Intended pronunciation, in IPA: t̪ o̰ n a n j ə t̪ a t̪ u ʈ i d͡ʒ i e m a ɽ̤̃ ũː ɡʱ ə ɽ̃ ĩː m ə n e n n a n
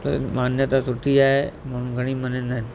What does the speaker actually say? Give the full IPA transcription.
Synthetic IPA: t̪ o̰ m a n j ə t̪ a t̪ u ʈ i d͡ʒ a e m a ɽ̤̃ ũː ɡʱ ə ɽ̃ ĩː m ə n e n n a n